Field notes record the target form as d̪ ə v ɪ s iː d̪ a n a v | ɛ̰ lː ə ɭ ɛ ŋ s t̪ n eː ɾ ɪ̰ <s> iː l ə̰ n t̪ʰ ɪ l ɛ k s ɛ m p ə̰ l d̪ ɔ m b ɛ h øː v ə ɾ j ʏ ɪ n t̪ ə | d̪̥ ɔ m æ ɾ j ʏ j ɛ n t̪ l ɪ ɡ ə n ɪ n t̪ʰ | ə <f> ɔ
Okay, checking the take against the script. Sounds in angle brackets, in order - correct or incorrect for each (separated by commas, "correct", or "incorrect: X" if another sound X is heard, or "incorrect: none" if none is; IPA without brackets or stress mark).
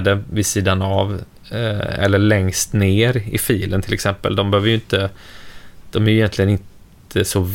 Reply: incorrect: f, incorrect: s